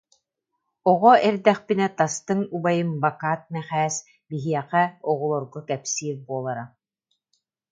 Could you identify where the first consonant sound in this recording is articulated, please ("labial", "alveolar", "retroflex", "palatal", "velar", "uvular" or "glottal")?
uvular